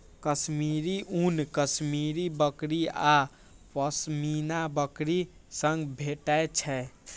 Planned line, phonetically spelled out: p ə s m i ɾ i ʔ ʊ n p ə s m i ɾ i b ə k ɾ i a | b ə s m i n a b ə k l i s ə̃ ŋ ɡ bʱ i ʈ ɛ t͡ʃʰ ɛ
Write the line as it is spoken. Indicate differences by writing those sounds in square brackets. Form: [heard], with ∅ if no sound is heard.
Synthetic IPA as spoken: [k] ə s m i ɾ i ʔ [u] n [k] ə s m i ɾ i b ə k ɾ i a | [p] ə s m i n a b ə k [ɾ] i s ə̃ ŋ ɡ bʱ [e] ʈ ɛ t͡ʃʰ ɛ